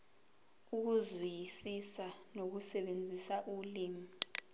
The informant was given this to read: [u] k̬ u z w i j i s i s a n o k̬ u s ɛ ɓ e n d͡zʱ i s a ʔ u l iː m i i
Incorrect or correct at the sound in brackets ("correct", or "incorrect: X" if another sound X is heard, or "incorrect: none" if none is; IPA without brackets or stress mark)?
correct